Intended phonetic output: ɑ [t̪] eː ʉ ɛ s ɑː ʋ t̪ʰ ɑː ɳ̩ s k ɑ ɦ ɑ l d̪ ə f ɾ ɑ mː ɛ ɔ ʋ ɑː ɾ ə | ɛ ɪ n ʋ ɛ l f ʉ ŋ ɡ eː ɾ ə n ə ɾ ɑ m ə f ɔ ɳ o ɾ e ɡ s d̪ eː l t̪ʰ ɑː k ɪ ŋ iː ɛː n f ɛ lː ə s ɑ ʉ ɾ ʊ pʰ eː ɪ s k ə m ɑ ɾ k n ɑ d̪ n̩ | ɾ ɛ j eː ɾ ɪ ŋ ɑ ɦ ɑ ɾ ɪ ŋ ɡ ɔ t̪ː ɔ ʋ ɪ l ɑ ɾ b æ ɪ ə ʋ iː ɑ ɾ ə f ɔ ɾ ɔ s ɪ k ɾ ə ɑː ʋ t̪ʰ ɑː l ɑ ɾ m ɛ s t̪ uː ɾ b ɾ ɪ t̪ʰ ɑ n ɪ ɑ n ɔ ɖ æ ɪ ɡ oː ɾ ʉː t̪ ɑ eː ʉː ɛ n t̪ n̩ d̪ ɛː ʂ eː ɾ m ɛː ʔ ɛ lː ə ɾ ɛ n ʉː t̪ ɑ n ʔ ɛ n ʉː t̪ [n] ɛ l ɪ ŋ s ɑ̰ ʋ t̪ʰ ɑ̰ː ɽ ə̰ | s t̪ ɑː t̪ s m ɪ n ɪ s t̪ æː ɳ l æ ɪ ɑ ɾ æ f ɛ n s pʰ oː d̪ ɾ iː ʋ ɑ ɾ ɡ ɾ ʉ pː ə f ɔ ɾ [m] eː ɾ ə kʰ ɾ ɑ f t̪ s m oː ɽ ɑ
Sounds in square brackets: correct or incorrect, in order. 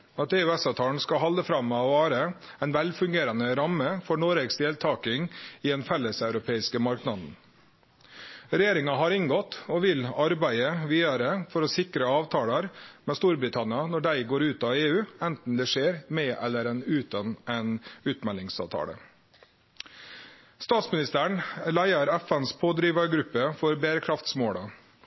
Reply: correct, incorrect: m, incorrect: b

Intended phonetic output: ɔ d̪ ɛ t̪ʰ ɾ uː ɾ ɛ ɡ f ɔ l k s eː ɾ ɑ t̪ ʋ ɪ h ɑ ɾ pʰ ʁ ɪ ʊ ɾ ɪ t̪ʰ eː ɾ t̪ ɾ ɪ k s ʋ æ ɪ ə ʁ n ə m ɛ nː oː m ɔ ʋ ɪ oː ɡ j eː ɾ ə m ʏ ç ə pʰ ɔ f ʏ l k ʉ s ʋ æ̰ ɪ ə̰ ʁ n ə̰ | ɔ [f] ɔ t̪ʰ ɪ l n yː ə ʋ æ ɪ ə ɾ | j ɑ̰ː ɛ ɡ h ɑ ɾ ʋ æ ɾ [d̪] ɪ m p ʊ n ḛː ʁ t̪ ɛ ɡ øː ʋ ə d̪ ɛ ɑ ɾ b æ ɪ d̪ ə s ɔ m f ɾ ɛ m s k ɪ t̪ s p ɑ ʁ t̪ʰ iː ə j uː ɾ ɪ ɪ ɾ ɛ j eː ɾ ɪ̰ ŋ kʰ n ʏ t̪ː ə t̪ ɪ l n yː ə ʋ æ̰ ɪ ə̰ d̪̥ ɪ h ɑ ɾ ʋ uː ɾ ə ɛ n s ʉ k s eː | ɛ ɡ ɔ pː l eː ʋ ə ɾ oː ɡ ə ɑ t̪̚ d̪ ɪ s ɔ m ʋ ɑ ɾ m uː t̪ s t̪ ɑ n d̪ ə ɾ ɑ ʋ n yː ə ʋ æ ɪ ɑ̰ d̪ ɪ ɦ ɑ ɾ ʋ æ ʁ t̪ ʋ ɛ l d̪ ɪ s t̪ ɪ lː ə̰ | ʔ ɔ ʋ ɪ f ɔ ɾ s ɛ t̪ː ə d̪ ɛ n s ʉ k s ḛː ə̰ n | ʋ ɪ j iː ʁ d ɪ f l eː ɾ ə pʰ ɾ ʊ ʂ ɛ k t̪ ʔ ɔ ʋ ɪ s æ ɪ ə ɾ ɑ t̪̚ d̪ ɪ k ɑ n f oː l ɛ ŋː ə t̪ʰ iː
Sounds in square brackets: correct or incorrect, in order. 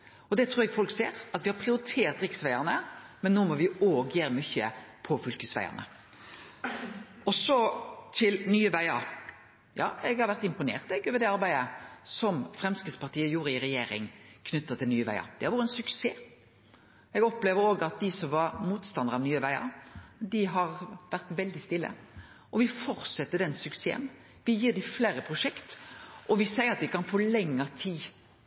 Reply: incorrect: s, incorrect: t̪

